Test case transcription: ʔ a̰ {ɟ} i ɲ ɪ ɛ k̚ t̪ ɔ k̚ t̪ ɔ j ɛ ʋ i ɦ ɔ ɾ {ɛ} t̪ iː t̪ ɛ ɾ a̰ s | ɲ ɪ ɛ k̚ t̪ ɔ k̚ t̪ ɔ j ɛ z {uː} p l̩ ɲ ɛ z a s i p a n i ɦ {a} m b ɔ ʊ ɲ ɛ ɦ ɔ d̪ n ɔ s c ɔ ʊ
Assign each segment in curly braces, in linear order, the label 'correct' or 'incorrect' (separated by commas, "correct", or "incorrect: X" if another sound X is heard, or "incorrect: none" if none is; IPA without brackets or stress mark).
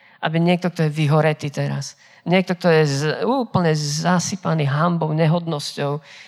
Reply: incorrect: b, correct, correct, correct